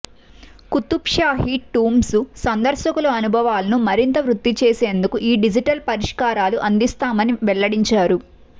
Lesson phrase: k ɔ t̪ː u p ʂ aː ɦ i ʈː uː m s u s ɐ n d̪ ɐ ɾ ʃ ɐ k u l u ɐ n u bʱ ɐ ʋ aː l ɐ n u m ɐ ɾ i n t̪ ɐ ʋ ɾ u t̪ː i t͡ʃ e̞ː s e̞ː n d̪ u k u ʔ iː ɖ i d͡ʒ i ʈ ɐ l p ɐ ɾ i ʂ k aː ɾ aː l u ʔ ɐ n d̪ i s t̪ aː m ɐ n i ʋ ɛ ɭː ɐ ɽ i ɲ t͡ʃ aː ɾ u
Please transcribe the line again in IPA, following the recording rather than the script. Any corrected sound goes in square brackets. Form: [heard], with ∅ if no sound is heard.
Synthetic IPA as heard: k [u] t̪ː u p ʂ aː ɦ i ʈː uː m s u s ɐ n d̪ ɐ ɾ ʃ ɐ k u l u ɐ n u bʱ ɐ ʋ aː l ɐ n u m ɐ ɾ i n t̪ ɐ ʋ ɾ u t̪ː i t͡ʃ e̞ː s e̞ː n d̪ u k u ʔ iː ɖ i d͡ʒ i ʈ ɐ l p ɐ ɾ i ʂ k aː ɾ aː l u ʔ ɐ n d̪ i s t̪ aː m ɐ n i ʋ ɛ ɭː ɐ ɽ i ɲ t͡ʃ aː ɾ u